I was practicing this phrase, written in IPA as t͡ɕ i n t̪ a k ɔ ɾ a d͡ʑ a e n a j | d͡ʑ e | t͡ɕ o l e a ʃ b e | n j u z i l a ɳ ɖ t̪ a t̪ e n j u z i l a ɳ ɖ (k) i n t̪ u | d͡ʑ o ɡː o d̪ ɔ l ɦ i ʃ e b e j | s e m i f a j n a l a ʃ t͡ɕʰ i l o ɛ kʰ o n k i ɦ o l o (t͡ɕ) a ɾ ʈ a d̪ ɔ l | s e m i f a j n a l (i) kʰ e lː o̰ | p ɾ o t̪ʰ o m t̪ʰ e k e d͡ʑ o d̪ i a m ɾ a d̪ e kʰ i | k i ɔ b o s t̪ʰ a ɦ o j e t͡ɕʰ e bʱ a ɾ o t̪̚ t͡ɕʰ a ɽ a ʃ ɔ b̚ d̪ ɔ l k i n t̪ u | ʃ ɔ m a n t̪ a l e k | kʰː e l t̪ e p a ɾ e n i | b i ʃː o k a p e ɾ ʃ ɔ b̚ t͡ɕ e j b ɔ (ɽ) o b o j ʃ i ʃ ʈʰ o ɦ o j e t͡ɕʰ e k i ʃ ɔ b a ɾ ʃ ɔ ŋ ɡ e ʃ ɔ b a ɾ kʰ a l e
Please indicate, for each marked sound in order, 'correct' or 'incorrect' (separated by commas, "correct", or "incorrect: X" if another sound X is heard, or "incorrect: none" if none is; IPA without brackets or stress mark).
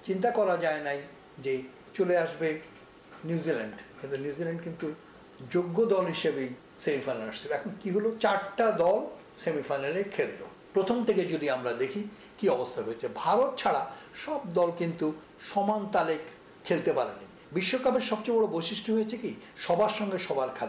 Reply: correct, correct, incorrect: e, correct